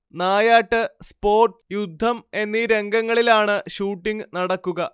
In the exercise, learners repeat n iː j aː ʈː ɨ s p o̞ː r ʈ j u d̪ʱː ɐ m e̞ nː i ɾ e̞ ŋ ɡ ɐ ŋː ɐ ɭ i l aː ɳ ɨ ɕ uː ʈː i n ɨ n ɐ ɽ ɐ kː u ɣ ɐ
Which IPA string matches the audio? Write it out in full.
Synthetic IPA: n aː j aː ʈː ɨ s p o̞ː r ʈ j u d̪ʱː ɐ m e̞ nː i ɾ e̞ ŋ ɡ ɐ ŋː ɐ ɭ i l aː ɳ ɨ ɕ uː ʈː i ŋ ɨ n ɐ ɽ ɐ kː u ɣ ɐ